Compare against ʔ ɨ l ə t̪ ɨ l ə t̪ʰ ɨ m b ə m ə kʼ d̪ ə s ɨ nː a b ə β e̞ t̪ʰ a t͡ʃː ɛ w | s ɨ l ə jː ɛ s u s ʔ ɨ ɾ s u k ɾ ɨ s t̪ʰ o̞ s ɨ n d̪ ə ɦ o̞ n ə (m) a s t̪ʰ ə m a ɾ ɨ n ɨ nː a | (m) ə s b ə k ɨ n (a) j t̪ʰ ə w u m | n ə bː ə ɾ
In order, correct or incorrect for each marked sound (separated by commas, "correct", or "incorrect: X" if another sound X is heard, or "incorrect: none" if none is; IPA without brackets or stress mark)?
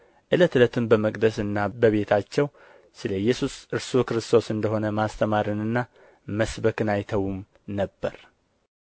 correct, correct, correct